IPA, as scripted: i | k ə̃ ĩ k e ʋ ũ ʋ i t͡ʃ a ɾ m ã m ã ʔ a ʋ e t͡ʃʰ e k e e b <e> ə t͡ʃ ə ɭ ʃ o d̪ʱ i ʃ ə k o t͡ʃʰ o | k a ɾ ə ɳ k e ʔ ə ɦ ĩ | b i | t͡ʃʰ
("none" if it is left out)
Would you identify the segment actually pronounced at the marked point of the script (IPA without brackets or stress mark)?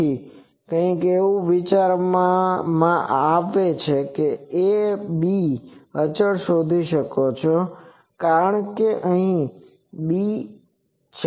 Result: i